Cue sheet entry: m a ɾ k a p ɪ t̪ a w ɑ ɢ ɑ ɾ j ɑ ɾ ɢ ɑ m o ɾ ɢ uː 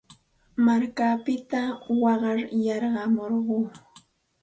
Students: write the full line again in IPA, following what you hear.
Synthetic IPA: m a ɾ k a p ɪ t̪ a w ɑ ɢ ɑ ɾ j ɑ ɾ ɢ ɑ m o ɾ ɢ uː